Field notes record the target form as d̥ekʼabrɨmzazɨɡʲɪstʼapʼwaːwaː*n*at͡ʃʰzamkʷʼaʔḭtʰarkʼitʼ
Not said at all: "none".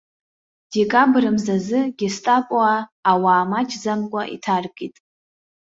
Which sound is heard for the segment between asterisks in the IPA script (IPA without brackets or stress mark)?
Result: m